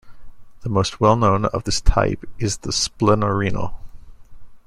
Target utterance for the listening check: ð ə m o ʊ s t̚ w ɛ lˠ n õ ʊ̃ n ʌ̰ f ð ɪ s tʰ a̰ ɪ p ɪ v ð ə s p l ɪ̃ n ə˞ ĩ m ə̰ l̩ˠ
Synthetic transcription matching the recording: ð ə m o ʊ s t̚ w ɛ lˠ n õ ʊ̃ n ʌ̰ v ð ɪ s tʰ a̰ ɪ p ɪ z ð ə s p l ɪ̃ n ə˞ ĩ n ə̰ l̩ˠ